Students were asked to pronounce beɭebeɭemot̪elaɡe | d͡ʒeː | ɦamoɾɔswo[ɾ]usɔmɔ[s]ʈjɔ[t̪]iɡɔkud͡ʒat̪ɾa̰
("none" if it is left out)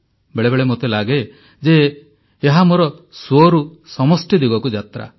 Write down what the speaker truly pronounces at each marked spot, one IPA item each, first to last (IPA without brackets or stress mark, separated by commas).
ɾ, s, d̪